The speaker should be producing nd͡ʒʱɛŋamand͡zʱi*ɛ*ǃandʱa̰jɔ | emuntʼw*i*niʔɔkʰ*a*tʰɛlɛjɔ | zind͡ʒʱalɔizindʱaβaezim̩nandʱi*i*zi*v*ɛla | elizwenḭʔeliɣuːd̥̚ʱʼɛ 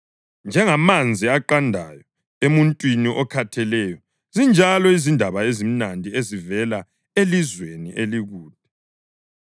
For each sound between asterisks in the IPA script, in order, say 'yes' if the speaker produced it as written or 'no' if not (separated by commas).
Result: no, yes, yes, no, yes